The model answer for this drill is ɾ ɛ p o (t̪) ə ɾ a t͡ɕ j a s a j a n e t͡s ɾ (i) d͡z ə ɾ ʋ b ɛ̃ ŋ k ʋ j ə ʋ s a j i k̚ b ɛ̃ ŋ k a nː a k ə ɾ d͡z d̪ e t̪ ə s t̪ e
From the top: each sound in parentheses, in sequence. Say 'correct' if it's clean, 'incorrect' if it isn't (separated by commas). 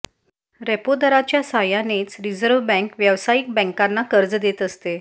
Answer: incorrect, correct